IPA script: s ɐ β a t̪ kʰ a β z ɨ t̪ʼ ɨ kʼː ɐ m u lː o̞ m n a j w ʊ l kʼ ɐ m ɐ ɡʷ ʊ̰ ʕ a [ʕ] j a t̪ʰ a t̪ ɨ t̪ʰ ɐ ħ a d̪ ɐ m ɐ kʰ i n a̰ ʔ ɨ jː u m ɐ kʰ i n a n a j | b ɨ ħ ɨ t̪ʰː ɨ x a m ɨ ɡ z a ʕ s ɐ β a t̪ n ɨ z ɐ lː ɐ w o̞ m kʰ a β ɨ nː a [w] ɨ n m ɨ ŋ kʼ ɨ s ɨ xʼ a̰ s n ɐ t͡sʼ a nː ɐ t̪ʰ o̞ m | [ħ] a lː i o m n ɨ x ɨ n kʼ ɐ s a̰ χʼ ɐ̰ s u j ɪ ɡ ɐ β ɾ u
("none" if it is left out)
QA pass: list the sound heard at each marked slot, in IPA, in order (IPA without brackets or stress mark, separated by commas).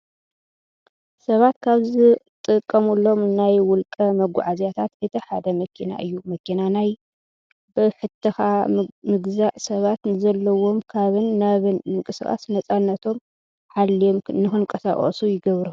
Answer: z, β, ħ